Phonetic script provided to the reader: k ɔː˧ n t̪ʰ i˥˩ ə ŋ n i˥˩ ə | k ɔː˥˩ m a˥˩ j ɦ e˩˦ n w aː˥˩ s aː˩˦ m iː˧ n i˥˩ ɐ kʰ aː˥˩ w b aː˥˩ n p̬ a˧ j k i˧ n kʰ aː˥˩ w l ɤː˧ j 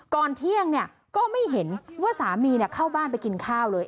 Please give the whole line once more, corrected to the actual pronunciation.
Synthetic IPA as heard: k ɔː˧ n t̪ʰ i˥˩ ə ŋ n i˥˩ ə | k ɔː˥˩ m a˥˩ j ɦ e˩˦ n w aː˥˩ s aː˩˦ m iː˧ n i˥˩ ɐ kʰ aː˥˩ w b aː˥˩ n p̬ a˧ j k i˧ n kʰ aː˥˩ w l ɤː˧ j